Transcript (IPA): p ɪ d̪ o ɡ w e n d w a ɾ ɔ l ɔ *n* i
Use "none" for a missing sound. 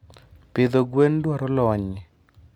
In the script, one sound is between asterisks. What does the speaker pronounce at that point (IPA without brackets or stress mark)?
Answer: ɲ